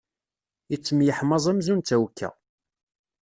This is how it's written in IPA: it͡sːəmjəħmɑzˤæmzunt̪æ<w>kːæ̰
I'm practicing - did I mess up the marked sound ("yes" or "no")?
no